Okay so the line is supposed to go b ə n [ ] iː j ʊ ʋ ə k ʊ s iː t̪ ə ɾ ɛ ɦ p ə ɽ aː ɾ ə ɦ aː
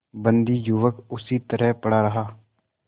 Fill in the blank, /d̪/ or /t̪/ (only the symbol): d̪